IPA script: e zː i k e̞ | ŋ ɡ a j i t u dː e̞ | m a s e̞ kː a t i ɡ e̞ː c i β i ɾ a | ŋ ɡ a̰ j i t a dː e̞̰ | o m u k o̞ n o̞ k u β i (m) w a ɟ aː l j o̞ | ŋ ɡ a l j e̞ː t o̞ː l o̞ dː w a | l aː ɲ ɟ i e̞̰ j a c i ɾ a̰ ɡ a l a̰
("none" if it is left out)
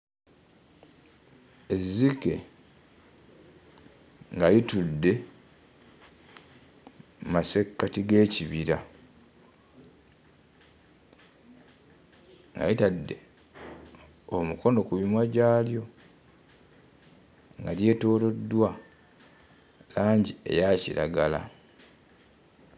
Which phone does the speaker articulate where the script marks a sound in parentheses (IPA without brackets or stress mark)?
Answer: m